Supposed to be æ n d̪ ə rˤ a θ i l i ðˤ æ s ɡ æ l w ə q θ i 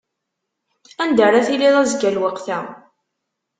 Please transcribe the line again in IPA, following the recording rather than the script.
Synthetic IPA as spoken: æ n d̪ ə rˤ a θ i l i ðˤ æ z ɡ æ l w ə q θ æ